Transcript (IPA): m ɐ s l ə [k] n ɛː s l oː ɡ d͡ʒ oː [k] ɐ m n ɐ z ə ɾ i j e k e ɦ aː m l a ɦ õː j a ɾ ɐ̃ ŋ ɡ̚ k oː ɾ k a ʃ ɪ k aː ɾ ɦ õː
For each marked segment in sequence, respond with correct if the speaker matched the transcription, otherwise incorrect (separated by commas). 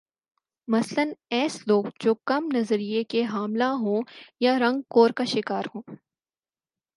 incorrect, correct